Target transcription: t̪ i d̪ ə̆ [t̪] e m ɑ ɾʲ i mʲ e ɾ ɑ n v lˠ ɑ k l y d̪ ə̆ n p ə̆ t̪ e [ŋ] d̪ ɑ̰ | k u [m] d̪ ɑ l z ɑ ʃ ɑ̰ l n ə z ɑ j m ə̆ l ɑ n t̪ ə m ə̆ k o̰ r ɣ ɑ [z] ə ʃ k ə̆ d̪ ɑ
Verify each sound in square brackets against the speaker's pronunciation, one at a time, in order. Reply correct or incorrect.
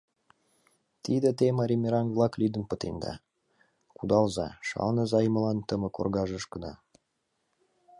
correct, incorrect: n, incorrect: none, incorrect: ʒ

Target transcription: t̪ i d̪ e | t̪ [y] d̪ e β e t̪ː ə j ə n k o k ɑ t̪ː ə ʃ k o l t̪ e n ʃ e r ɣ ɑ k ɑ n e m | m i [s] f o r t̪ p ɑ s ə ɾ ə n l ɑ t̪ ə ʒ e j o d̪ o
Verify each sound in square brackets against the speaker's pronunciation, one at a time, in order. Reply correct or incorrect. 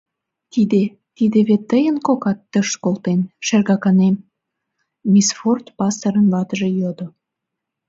incorrect: i, correct

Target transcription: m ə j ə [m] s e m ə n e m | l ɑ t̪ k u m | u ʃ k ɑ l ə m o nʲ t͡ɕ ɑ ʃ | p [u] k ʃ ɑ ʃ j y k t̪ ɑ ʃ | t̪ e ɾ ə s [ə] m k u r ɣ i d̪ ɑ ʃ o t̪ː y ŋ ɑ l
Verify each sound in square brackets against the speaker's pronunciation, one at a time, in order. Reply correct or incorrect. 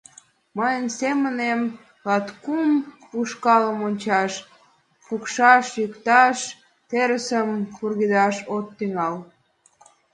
incorrect: n, correct, correct

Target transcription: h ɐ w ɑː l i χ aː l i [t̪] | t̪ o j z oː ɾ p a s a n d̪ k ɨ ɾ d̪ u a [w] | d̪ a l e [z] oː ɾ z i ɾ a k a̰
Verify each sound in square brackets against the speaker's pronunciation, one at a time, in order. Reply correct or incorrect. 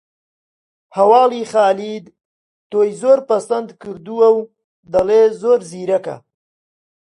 incorrect: d̪, correct, correct

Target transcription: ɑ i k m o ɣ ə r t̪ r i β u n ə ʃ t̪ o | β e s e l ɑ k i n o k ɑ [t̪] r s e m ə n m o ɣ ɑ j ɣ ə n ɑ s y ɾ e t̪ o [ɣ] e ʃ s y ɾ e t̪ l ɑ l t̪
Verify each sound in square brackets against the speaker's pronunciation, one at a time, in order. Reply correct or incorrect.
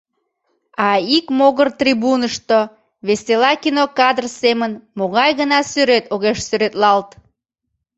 incorrect: d̪, correct

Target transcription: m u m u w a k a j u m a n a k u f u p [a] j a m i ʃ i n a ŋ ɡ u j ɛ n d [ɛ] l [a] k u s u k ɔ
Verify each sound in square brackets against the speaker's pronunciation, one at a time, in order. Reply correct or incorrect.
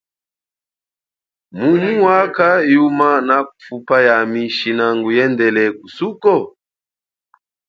correct, correct, incorrect: ɛ

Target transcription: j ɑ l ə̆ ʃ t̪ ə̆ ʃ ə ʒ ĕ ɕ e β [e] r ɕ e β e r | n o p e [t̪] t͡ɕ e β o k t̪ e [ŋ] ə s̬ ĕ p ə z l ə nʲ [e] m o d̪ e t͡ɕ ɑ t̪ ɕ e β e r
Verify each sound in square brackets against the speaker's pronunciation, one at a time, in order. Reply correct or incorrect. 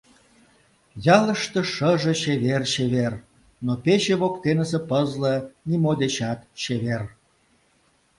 correct, incorrect: none, incorrect: n, incorrect: i

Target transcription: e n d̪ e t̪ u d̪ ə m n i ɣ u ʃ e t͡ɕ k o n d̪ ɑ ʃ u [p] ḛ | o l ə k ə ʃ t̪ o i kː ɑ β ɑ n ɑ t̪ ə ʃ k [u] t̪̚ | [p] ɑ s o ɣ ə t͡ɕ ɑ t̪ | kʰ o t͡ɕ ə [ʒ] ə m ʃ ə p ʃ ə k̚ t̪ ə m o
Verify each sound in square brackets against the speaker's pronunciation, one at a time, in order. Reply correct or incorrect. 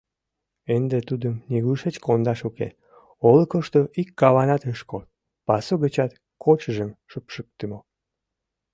incorrect: k, incorrect: o, correct, correct

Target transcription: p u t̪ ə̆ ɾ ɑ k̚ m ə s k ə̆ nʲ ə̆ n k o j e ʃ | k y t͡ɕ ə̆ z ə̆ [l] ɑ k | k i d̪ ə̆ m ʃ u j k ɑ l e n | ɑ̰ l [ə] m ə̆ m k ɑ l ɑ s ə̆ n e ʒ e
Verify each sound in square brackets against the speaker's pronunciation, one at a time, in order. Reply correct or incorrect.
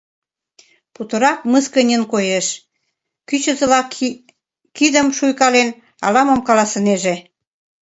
correct, incorrect: ɑ

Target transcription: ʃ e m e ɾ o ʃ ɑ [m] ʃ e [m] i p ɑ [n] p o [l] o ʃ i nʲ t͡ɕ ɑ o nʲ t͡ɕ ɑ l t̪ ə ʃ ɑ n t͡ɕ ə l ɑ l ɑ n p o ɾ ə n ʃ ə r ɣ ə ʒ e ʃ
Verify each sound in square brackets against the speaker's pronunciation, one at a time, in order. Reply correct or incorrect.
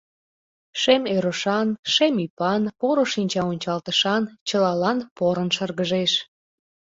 incorrect: n, correct, correct, incorrect: ɾ

